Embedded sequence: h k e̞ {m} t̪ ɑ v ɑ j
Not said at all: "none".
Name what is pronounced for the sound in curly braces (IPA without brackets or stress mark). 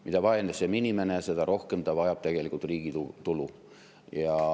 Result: m